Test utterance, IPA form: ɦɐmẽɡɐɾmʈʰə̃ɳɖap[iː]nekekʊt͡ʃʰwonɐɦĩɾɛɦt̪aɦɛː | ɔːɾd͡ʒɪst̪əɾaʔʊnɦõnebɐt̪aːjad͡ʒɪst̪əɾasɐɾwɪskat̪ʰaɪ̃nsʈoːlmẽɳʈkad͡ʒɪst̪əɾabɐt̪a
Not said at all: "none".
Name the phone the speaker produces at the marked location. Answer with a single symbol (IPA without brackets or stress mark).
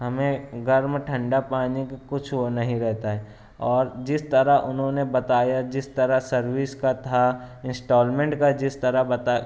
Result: aː